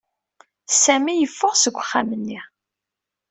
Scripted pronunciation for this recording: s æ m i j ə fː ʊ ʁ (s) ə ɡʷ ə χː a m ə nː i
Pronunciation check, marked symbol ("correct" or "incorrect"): correct